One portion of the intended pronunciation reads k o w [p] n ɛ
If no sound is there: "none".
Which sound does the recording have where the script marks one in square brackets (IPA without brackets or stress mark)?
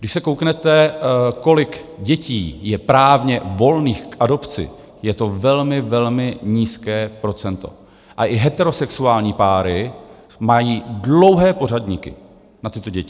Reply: k